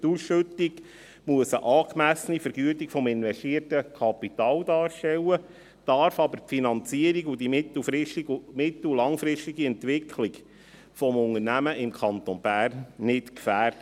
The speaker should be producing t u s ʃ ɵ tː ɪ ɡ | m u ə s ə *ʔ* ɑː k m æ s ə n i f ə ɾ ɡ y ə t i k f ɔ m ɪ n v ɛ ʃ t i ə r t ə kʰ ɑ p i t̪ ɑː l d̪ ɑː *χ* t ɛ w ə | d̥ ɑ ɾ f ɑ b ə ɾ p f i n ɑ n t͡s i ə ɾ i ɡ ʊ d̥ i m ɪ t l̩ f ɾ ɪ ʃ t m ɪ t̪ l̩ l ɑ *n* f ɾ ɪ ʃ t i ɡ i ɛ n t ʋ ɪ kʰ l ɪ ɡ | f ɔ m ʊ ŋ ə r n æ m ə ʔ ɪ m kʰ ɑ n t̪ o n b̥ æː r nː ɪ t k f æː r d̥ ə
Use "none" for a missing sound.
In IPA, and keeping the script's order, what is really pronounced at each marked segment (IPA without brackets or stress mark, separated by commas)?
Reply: ʔ, ʃ, ŋ